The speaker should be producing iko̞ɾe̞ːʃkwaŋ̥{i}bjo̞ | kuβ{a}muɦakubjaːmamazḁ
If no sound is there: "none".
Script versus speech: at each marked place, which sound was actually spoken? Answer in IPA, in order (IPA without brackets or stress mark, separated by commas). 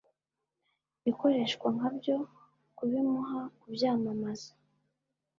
a, i